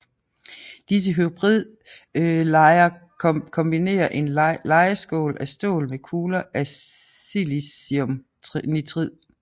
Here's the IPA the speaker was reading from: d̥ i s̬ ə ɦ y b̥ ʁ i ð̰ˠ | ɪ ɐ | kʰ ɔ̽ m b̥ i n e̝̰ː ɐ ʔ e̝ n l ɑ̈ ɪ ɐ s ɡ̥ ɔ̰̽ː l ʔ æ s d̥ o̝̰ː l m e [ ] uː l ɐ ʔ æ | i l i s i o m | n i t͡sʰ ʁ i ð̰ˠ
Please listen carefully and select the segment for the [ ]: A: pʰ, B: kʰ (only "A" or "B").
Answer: B